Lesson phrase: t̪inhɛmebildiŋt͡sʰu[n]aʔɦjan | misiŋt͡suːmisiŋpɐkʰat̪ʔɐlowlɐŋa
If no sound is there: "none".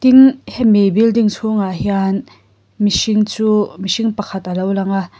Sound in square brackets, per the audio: ŋ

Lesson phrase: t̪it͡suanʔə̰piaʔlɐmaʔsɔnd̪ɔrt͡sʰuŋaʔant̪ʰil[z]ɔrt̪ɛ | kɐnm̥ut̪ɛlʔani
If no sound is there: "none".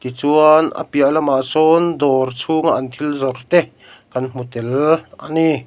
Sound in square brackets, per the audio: z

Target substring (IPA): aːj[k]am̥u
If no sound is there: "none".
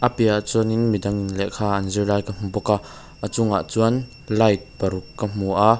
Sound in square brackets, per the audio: k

